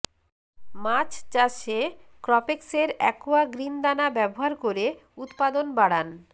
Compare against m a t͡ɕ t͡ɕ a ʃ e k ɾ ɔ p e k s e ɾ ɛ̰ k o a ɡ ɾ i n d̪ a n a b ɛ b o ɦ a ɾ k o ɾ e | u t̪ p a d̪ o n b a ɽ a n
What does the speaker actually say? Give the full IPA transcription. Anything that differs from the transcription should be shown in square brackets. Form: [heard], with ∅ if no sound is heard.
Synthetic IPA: m a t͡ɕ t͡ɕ a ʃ e k ɾ ɔ p e k s e ɾ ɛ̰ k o a ɡ ɾ i n d̪ a n a b ɛ b o ɦ a ɾ k o ɾ e | u t̪ p a d̪ o n b a ɽ a n